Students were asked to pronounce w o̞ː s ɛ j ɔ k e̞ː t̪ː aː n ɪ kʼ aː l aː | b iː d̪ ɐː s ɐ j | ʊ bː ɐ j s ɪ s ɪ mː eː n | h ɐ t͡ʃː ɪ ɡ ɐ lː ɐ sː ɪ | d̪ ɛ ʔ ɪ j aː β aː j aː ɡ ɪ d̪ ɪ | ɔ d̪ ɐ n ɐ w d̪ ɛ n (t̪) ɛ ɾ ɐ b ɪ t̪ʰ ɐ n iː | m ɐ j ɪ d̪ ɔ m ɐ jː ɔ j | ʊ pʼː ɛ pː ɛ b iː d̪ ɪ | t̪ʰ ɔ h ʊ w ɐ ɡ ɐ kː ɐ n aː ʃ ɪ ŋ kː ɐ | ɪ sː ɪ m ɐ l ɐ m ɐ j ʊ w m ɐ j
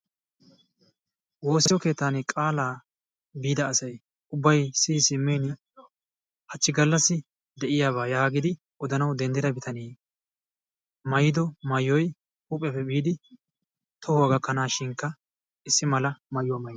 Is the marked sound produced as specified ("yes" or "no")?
no